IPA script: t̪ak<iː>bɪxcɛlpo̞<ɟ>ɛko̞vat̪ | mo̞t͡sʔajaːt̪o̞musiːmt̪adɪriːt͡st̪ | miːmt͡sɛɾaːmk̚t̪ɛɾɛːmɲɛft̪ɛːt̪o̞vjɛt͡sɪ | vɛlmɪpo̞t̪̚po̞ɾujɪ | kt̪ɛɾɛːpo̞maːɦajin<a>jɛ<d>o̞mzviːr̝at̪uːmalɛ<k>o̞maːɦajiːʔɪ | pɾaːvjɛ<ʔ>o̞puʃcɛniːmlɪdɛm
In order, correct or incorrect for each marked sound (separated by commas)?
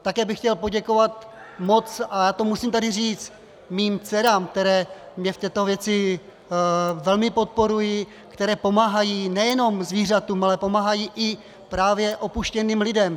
incorrect, correct, incorrect, incorrect, incorrect, correct